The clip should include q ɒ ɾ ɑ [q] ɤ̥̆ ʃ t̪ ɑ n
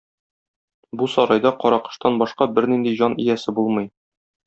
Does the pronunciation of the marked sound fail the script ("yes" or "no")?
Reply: no